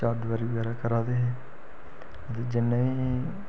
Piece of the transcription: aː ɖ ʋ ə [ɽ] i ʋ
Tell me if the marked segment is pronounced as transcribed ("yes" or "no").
no